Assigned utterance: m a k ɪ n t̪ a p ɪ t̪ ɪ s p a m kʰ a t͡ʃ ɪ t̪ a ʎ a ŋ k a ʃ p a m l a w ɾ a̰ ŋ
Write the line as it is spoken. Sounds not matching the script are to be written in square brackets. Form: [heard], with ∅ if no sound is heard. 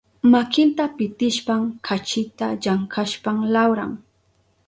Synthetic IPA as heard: m a k ɪ n t̪ a p ɪ t̪ ɪ [ʃ] p a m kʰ a t͡ʃ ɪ t̪ a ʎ a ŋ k a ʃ p a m l a w ɾ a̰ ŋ